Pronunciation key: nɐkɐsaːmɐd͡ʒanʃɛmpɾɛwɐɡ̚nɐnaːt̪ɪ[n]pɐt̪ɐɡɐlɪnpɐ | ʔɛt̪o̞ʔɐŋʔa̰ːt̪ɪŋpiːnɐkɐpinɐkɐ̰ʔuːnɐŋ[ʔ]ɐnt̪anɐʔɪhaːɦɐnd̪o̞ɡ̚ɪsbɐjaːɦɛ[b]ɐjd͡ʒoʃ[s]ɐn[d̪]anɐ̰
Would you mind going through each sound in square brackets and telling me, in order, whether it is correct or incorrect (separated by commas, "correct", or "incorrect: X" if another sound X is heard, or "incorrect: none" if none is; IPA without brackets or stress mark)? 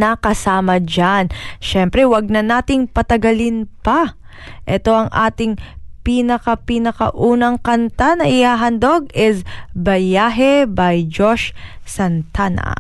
incorrect: ŋ, incorrect: k, correct, correct, incorrect: t̪